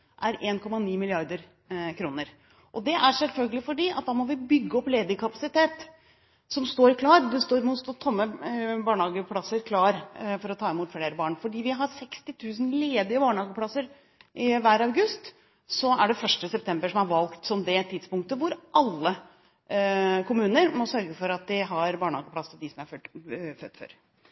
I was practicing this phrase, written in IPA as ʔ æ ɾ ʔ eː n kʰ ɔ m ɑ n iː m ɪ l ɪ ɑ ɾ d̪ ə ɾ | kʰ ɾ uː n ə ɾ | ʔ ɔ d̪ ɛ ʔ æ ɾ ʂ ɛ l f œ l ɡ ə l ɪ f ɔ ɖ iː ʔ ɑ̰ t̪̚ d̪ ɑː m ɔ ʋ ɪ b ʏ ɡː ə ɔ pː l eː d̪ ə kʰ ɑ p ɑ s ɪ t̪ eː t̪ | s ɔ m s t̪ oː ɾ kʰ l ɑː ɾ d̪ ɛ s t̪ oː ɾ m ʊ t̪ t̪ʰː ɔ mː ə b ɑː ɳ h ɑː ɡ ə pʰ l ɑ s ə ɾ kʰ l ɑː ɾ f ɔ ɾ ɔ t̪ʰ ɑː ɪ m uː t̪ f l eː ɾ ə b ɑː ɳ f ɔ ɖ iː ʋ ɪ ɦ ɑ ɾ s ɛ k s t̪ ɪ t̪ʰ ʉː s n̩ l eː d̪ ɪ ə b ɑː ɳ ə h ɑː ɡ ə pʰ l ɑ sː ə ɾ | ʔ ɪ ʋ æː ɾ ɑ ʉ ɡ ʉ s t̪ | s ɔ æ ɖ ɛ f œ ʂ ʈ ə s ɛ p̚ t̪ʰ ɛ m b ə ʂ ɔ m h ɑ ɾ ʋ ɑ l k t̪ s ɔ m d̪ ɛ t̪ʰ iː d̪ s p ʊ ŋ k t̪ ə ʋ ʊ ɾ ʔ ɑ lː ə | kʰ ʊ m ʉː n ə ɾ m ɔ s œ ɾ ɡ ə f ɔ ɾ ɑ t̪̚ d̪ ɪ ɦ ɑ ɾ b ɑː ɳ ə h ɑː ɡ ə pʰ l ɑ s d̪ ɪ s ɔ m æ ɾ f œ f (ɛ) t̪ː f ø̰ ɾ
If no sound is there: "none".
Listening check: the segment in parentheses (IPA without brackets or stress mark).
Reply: œ